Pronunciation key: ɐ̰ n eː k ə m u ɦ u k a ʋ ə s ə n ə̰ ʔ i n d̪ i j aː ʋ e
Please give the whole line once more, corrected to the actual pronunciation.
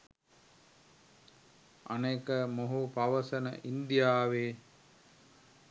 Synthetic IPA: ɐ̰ n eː k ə m o ɦ u p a ʋ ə s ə n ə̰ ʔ i n d̪ i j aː ʋ e